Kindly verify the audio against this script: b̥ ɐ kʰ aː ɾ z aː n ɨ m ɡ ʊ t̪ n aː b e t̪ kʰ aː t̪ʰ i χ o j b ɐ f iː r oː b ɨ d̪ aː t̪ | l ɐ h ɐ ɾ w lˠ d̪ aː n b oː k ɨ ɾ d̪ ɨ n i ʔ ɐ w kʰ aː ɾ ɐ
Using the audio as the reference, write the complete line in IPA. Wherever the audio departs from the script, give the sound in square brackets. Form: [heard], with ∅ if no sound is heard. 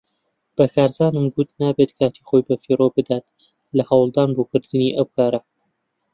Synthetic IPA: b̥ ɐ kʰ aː ɾ z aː n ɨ m ɡ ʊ t̪ n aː b e t̪ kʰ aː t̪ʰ i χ o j b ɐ f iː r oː b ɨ d̪ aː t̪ | l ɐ h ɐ [∅] w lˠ d̪ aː n b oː k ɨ ɾ d̪ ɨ n i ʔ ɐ w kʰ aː ɾ ɐ